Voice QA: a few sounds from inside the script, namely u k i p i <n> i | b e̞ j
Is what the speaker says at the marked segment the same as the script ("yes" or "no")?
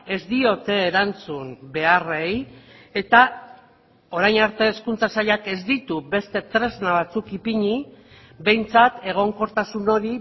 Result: no